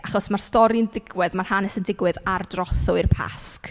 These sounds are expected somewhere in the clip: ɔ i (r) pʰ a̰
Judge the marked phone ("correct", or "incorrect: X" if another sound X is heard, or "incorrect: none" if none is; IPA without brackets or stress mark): correct